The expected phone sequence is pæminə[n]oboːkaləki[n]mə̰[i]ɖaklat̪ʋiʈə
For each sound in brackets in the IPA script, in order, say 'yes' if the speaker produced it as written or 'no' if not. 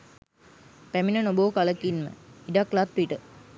yes, yes, yes

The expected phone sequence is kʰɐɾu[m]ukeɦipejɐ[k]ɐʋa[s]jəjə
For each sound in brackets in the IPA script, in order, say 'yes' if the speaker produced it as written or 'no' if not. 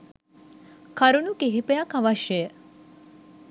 no, yes, no

